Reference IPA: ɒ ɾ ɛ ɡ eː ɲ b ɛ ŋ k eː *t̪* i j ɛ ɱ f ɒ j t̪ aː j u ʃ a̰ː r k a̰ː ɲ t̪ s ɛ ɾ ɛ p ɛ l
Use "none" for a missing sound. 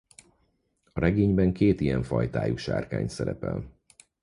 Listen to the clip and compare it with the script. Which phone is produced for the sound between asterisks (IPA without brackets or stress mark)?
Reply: t̪